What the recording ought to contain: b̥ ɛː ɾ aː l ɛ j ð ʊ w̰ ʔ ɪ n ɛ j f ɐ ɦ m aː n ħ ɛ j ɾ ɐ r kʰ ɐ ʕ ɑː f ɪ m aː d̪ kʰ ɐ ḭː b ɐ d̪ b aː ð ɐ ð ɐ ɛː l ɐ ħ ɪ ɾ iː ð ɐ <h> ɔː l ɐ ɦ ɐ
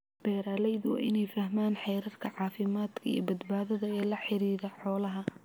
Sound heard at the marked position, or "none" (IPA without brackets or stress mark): ħ